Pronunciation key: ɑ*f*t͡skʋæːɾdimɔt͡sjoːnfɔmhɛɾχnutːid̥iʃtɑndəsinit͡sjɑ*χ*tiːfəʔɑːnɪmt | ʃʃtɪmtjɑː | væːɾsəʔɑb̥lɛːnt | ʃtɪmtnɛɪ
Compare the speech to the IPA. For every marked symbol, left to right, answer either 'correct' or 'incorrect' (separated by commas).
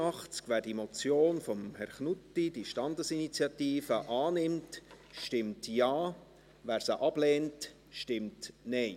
incorrect, incorrect